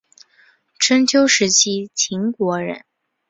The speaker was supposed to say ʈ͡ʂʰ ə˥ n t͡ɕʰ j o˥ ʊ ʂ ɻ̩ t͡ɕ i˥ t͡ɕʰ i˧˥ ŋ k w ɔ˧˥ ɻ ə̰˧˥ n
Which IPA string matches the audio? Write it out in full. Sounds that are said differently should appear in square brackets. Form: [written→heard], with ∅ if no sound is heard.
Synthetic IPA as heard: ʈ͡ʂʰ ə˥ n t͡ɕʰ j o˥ ʊ ʂ ɻ̩ [t͡ɕ→t͡ɕʰ] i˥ t͡ɕʰ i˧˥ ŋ k w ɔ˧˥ ɻ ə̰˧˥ n